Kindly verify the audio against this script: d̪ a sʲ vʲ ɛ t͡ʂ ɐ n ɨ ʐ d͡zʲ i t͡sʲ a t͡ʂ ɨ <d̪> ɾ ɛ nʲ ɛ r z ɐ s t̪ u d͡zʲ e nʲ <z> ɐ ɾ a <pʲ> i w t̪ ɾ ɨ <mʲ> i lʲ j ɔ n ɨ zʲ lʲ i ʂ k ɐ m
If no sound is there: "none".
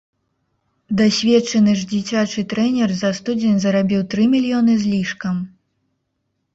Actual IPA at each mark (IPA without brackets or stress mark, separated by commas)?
t̪, z, bʲ, mʲ